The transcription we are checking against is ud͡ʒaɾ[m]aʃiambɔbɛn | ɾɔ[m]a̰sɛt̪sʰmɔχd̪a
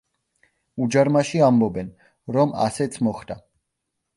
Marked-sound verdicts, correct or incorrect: correct, correct

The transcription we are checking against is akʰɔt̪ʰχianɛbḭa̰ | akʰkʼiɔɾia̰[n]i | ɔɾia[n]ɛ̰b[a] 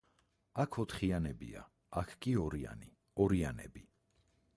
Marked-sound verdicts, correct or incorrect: correct, correct, incorrect: i

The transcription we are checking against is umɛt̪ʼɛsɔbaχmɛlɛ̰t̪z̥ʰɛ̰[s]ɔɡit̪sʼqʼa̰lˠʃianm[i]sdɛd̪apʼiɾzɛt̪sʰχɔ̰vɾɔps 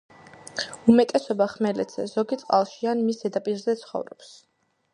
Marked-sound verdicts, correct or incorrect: incorrect: z, correct

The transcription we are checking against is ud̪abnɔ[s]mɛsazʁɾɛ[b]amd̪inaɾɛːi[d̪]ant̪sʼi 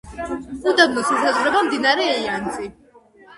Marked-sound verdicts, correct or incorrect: correct, correct, incorrect: none

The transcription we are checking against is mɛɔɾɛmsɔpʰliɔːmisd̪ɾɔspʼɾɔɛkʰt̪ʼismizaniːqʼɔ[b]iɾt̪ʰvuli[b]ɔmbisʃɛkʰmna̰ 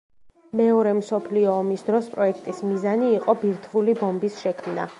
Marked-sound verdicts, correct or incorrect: correct, correct

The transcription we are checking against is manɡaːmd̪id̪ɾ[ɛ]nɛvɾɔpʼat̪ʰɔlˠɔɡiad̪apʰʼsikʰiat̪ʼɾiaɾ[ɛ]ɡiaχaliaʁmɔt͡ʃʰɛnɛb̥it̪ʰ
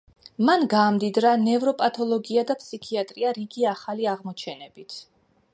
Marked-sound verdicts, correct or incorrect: incorrect: a, incorrect: i

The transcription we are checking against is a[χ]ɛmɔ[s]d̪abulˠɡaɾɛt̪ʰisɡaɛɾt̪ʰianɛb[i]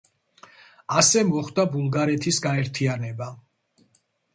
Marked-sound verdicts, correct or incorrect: incorrect: s, incorrect: χ, incorrect: a

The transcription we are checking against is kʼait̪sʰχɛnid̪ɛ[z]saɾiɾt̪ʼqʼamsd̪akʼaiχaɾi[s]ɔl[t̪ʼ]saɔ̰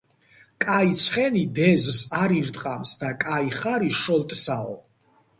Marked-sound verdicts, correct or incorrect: correct, incorrect: ʃ, correct

